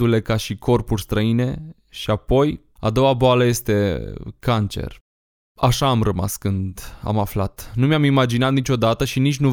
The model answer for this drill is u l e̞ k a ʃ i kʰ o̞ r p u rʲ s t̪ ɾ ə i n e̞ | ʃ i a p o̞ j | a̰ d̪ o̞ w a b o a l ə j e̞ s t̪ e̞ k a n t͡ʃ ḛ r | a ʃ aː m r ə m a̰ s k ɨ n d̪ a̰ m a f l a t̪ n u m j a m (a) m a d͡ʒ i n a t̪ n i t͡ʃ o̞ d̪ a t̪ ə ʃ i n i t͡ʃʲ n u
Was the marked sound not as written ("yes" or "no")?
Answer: yes